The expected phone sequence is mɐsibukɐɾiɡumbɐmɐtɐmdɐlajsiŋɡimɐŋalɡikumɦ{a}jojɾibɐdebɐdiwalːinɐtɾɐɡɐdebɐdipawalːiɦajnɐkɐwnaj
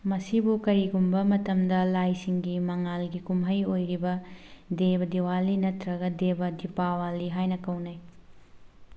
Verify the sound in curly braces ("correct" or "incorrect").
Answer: incorrect